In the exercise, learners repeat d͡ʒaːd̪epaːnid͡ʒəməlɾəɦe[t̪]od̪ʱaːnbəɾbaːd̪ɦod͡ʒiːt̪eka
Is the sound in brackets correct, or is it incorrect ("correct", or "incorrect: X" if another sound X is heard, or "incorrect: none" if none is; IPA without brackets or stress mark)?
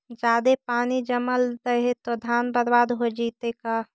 correct